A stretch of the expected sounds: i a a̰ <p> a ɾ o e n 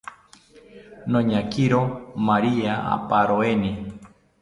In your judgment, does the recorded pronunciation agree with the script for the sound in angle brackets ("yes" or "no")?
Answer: yes